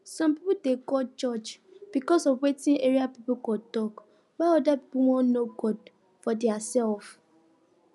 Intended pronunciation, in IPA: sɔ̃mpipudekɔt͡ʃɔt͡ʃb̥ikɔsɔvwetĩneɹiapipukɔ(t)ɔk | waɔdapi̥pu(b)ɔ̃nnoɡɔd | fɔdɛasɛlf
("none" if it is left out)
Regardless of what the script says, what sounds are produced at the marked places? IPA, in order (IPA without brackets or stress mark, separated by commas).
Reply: t, w